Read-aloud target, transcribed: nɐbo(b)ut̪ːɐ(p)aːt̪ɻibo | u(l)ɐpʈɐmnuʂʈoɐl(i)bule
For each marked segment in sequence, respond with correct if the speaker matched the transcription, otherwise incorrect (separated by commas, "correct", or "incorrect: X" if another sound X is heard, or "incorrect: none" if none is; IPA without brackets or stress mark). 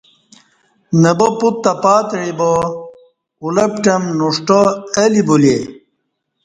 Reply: incorrect: p, correct, correct, correct